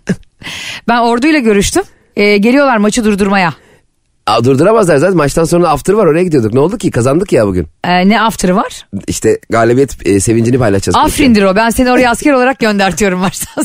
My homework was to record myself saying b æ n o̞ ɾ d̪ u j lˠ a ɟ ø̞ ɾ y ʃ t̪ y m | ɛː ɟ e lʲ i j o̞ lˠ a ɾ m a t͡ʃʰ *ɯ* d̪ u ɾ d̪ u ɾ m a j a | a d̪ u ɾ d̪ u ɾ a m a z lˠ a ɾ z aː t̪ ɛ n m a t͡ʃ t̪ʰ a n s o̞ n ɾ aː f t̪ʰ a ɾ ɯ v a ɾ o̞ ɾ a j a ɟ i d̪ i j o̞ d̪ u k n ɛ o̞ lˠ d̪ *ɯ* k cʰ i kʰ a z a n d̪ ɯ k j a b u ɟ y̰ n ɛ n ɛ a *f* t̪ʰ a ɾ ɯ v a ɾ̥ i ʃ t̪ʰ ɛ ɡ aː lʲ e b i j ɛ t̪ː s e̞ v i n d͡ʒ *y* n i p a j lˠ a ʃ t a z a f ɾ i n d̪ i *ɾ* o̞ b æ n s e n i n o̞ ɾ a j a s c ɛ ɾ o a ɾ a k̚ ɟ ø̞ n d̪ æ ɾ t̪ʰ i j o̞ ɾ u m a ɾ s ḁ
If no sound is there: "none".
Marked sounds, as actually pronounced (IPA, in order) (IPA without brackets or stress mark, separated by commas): ɯ, u, f, i, ɾ